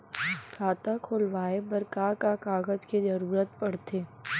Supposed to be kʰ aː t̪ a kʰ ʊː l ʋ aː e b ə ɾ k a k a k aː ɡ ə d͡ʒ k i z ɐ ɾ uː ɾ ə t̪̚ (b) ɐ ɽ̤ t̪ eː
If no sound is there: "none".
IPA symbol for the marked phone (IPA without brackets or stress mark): p